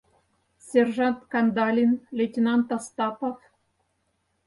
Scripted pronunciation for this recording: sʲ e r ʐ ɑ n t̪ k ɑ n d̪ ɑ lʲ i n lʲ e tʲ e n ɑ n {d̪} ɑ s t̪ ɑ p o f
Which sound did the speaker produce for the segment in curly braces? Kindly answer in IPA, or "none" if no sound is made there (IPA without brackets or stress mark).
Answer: t̪